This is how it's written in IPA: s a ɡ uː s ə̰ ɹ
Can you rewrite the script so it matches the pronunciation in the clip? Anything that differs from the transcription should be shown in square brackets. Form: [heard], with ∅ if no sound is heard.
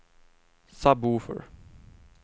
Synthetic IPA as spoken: s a [b] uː [f] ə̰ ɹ

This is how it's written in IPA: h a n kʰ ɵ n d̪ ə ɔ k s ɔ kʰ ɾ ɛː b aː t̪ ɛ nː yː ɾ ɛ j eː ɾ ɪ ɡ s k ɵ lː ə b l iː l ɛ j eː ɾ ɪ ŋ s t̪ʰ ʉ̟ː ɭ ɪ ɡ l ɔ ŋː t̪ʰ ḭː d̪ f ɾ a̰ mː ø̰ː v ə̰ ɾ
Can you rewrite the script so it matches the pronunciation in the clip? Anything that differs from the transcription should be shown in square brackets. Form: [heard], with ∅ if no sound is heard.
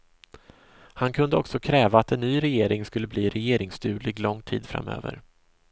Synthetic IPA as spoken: h a n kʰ ɵ n d̪ ə ɔ k s ɔ kʰ ɾ ɛː [v] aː t̪ ɛ nː yː ɾ ɛ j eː ɾ ɪ [ŋ] s k ɵ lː ə b l iː [ɾ] ɛ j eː ɾ ɪ ŋ s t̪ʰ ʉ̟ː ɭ ɪ ɡ l ɔ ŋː t̪ʰ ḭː d̪ f ɾ a̰ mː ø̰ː v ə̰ ɾ

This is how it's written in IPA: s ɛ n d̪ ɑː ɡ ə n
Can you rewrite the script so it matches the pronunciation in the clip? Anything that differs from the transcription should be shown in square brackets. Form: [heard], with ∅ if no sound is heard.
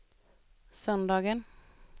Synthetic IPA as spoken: s [œ] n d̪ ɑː ɡ ə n

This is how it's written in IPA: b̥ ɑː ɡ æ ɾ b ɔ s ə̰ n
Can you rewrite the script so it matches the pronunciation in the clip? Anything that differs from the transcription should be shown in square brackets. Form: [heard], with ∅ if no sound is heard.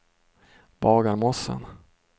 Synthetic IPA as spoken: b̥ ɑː ɡ [a] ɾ [m] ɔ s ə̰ n

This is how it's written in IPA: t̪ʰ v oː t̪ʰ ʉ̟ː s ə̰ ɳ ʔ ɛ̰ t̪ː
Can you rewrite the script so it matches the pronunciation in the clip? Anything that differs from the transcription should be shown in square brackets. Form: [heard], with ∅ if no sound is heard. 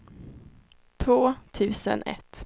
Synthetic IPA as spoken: t̪ʰ v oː t̪ʰ ʉ̟ː s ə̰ [n] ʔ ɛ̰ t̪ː

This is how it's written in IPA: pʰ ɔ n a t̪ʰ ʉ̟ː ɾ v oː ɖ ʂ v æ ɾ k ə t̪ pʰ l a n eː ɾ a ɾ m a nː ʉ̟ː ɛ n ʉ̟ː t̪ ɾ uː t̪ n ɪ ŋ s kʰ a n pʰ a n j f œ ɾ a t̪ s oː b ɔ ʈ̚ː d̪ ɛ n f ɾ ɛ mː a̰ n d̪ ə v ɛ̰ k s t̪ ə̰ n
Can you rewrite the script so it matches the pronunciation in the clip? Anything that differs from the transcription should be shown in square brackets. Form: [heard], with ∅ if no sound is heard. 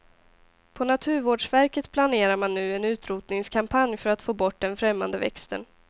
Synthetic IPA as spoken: pʰ ɔ n a t̪ʰ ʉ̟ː ɾ v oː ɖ ʂ v æ ɾ k ə t̪ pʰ l a n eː ɾ a ɾ m a nː ʉ̟ː ɛ n ʉ̟ː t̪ ɾ uː t̪ n ɪ ŋ s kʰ a [m] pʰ a n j f œ ɾ a t̪ [f] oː b ɔ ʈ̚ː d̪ ɛ n f ɾ ɛ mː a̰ n d̪ ə v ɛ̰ k s t̪ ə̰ n

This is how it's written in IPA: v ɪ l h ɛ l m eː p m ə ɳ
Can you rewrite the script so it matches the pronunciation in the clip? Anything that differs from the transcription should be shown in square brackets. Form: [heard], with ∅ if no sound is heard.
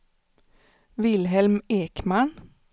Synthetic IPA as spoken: [ʋ] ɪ l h ɛ l m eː [k] m [ɑ] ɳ

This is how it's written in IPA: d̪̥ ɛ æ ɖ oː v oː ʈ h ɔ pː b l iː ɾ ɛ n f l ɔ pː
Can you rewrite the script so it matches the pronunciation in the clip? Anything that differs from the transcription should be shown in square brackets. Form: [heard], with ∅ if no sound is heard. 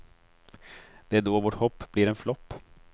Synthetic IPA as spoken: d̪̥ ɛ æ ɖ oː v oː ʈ h ɔ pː b l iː ɾ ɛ n f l ɔ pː

